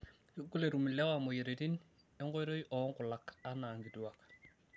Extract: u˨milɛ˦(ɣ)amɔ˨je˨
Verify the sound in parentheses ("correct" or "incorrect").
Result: incorrect